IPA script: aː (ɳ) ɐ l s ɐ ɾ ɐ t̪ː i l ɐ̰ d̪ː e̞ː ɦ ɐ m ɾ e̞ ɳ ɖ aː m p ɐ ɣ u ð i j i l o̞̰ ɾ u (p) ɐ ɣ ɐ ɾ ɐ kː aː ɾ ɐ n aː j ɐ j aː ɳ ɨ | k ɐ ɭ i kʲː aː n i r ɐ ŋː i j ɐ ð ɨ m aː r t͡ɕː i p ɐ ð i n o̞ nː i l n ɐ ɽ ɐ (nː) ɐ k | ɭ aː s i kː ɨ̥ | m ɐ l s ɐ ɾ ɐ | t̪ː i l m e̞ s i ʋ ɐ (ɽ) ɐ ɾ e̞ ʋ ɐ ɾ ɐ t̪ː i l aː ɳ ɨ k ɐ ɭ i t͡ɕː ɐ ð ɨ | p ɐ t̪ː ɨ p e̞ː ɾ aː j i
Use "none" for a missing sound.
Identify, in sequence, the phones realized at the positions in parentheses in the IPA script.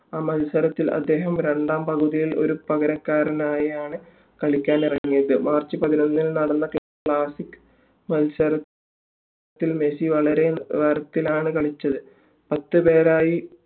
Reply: m, p, nː, ɭ

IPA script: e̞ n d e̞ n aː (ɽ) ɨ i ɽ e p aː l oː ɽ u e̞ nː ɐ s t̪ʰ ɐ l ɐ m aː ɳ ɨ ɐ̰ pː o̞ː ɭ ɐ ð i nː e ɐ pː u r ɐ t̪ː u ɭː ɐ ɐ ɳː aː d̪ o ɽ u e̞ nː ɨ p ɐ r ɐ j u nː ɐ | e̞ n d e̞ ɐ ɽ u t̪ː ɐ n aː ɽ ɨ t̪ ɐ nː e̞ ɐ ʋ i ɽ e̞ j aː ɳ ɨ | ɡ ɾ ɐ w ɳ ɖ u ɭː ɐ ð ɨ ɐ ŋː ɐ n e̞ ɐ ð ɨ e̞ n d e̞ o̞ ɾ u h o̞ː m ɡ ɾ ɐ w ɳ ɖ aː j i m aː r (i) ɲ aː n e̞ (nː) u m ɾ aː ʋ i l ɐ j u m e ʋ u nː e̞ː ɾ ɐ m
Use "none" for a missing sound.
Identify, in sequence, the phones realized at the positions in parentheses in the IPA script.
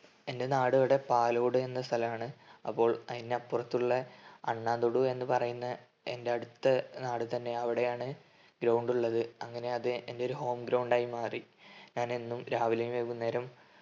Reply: ɽ, i, nː

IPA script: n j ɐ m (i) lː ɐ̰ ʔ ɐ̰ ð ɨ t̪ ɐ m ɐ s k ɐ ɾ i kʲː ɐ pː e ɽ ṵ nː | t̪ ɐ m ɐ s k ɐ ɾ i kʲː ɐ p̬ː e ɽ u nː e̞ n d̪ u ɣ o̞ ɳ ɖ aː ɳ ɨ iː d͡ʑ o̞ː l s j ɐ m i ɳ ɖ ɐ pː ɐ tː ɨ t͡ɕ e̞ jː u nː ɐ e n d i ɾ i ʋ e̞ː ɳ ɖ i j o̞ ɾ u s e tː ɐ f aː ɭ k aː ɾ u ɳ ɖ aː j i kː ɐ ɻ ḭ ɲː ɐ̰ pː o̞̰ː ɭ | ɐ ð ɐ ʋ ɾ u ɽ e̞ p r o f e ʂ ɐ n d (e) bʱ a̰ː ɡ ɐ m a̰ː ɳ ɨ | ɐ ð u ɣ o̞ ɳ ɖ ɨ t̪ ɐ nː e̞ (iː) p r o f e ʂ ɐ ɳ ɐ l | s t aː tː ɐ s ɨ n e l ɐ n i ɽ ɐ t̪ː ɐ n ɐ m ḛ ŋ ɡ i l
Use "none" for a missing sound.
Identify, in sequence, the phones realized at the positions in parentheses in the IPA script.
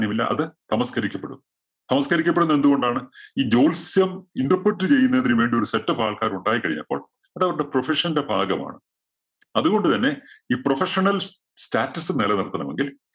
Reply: i, e, iː

